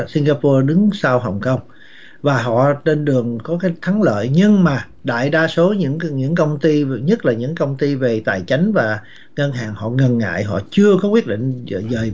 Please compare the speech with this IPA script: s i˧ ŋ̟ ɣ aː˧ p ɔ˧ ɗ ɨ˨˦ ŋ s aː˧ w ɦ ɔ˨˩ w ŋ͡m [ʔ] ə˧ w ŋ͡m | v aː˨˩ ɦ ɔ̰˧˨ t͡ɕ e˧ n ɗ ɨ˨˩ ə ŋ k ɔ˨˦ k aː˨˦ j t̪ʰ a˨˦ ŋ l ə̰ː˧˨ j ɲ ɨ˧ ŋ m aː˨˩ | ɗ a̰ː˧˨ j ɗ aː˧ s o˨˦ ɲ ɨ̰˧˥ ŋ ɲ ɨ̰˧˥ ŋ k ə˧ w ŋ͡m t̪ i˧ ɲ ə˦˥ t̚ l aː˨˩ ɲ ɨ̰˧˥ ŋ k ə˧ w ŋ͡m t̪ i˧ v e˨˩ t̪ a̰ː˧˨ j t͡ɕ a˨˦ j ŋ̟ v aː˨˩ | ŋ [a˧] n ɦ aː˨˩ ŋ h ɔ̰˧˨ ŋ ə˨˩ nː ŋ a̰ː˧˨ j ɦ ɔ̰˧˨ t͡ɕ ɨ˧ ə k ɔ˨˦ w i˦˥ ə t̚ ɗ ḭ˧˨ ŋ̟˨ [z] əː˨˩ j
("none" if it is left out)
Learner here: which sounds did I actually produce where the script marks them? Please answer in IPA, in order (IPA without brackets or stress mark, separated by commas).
k, ə˧, z